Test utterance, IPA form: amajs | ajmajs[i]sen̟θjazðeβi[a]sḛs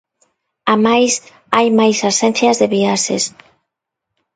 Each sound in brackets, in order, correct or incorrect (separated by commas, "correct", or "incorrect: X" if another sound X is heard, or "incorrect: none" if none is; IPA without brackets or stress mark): incorrect: a, correct